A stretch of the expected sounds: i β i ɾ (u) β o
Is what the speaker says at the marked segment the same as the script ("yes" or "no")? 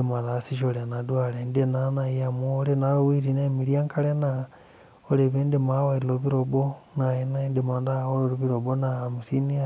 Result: no